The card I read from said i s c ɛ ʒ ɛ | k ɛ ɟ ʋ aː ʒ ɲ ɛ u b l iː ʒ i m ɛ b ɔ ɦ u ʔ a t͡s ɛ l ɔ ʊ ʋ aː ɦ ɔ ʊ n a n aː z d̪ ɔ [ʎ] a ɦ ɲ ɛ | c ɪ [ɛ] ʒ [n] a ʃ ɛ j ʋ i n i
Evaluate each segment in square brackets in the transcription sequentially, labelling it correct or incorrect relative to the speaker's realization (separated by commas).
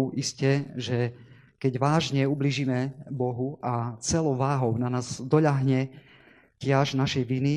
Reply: correct, incorrect, correct